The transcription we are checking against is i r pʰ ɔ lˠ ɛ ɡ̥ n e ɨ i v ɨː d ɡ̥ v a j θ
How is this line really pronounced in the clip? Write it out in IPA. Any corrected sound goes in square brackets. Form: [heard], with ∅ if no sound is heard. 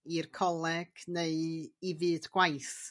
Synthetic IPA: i r [kʰ] ɔ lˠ ɛ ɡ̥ n e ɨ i v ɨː d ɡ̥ [w] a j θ